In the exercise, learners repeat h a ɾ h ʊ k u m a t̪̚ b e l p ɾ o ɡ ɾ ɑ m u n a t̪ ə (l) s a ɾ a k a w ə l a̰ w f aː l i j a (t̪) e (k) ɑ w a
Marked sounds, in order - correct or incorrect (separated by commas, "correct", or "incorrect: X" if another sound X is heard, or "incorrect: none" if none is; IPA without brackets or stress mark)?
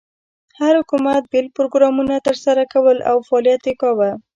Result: incorrect: ɾ, correct, correct